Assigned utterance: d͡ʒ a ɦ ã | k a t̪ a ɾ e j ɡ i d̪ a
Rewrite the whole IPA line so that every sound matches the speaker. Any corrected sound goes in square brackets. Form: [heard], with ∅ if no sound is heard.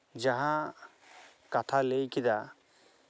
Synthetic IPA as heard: d͡ʒ a ɦ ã | k a [t̪ʰ] a [l] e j [k] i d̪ a